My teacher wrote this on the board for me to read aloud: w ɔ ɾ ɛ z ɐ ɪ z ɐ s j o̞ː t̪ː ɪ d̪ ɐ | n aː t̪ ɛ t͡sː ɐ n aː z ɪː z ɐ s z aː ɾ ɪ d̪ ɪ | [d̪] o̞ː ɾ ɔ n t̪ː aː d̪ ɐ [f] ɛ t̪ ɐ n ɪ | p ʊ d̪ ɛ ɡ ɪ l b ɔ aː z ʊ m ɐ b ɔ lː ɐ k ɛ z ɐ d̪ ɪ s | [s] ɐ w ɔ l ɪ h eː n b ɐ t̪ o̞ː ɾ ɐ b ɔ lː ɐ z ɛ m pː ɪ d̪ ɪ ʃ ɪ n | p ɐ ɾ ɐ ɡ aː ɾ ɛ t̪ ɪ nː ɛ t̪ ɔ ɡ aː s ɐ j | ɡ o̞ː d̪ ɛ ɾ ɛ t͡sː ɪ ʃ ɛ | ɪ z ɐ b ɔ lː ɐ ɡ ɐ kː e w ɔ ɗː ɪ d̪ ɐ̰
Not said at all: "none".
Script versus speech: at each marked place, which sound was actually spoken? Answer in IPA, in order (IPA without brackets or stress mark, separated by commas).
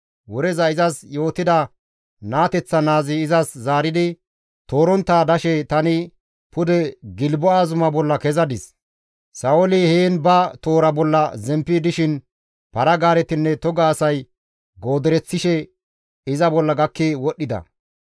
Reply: t̪, ʃ, s